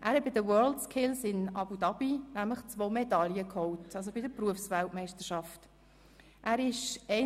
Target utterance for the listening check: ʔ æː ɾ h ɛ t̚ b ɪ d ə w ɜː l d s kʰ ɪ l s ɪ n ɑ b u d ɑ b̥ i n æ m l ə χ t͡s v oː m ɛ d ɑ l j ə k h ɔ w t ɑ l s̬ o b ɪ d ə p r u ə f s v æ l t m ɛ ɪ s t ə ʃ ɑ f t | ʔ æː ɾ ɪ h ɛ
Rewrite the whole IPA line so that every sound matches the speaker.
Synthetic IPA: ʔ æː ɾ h ɛ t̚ b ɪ d ə w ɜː l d s kʰ ɪ l s ɪ n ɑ b u d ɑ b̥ i n æ m l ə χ t͡s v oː m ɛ d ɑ l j ə k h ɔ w t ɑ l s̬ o b ɪ d ə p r u ə f s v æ l t m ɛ ɪ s t ə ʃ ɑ f t | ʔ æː ɾ ɪ ʃ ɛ